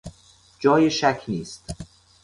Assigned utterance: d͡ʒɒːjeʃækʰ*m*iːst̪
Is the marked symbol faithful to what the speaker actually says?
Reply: no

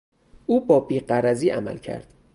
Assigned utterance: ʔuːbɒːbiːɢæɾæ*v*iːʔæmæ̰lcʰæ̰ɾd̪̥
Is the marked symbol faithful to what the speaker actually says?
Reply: no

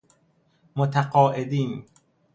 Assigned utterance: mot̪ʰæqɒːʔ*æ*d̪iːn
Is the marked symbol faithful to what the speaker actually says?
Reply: no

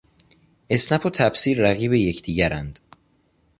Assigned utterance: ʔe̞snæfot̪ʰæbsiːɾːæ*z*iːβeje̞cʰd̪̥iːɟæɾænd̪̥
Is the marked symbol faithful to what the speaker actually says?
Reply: no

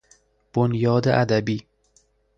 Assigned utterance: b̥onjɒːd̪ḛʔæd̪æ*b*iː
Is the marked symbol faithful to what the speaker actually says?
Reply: yes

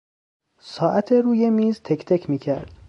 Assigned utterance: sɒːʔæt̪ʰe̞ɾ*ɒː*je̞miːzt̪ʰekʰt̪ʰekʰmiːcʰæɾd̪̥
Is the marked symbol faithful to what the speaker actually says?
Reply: no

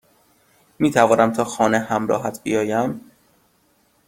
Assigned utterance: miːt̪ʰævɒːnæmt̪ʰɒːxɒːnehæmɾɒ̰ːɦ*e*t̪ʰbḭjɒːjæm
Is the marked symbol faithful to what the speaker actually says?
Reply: no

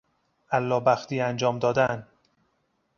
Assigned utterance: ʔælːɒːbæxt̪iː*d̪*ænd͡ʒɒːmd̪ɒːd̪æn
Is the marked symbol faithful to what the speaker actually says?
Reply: no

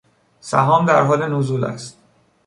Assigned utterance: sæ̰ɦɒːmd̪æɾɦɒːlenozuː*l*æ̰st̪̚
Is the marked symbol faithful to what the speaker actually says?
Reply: yes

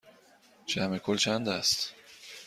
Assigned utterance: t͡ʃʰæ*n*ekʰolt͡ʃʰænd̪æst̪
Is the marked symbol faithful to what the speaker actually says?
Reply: no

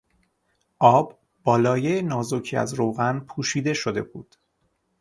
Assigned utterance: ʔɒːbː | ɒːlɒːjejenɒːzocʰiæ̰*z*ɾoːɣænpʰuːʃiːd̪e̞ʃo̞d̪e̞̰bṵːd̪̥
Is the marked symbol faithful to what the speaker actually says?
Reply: yes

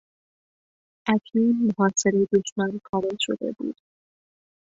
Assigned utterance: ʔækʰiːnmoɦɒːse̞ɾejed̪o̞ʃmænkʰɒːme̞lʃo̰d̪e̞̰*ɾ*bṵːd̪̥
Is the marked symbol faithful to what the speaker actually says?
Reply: no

